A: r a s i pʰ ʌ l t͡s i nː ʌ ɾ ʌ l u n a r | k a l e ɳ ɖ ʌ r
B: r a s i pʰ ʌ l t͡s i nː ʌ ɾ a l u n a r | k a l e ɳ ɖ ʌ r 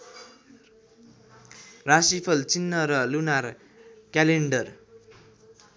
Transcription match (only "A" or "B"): A